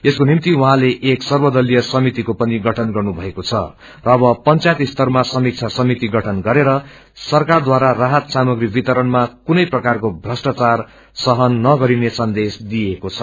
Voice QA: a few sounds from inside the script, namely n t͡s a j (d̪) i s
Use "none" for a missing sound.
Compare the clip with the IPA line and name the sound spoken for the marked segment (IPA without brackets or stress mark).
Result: t̪